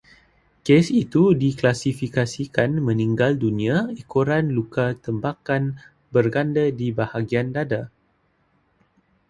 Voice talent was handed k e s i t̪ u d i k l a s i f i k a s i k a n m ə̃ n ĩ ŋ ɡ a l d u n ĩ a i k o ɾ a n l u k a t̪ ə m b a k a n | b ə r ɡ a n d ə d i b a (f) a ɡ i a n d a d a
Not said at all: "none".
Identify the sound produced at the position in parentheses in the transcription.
h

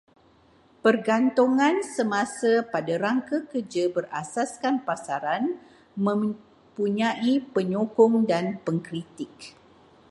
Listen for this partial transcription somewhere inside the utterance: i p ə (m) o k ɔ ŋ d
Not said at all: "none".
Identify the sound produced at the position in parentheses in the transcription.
ɲ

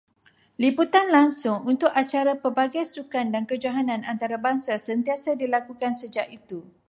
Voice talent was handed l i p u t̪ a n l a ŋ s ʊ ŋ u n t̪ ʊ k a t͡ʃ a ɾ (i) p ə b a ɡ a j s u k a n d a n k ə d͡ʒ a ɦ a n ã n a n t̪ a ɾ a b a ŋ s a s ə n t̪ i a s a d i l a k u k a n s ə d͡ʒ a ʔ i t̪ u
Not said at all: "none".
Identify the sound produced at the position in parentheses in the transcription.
a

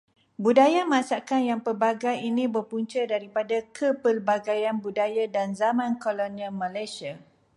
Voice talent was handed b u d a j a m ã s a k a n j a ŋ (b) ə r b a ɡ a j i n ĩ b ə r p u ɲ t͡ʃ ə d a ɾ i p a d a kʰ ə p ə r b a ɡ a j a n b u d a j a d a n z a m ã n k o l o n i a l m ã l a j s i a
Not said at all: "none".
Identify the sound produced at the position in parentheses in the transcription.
p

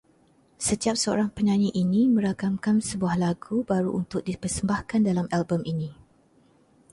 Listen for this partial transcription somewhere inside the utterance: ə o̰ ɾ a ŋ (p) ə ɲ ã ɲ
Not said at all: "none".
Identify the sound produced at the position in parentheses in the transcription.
p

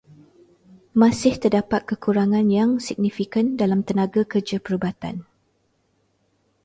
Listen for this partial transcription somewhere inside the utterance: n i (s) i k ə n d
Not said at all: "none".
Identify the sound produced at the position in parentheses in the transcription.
f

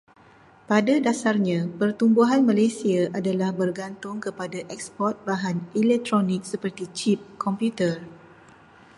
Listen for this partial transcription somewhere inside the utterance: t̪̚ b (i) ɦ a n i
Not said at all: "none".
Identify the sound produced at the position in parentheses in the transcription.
a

